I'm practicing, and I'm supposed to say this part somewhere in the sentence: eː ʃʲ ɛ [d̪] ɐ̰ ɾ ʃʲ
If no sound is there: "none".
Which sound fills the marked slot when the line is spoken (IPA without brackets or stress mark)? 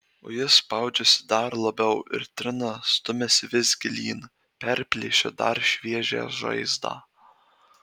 d̪